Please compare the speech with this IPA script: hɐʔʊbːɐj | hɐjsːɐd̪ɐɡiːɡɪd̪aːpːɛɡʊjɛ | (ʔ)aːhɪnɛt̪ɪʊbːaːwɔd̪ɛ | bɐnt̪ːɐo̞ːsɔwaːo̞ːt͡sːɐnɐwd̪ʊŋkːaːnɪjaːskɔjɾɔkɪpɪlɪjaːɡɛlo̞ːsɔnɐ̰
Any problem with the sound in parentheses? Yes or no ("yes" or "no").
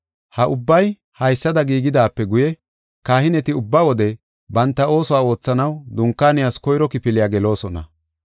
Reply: yes